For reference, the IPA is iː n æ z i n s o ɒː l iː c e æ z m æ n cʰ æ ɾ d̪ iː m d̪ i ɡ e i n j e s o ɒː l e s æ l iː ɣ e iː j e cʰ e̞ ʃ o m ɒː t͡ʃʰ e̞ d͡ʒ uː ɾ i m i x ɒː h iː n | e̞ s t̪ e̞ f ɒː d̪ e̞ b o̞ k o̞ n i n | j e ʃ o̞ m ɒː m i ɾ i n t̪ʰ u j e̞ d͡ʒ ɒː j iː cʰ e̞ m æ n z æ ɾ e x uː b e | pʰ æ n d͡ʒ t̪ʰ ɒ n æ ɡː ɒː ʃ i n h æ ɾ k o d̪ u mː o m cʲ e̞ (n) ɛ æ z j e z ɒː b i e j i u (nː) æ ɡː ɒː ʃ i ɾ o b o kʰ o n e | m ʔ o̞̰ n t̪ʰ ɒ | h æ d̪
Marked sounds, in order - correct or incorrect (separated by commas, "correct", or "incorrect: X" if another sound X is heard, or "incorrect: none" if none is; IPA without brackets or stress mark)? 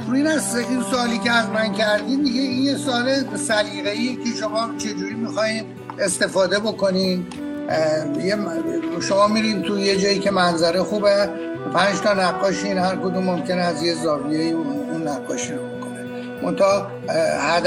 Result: correct, correct